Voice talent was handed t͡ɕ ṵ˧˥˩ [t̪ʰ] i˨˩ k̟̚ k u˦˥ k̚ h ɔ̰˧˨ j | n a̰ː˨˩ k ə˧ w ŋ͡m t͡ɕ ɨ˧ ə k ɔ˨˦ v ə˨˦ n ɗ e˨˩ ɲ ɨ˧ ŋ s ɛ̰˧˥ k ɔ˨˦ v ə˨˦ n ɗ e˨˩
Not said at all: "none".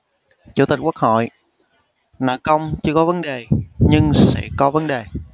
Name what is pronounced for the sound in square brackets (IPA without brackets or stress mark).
t̪